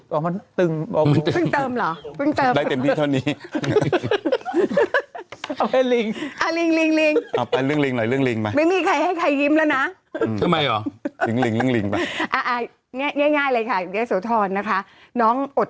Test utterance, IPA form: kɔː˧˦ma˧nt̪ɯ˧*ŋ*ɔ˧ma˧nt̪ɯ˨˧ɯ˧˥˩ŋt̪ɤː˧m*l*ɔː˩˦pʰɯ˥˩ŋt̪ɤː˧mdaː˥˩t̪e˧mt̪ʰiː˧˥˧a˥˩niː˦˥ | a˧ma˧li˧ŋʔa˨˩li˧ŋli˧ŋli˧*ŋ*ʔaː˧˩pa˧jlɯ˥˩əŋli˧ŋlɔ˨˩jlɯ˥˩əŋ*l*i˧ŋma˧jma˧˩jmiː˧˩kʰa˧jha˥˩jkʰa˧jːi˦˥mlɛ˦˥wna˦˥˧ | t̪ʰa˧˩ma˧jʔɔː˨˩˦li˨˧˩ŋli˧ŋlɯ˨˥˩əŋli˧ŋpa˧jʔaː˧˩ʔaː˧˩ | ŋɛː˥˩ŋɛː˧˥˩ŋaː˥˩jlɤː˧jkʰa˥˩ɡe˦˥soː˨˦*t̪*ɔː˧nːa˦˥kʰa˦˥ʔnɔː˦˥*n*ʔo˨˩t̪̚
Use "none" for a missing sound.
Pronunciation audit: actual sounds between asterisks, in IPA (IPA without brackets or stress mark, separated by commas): ŋ, l, ŋ, l, t̪ʰ, ŋ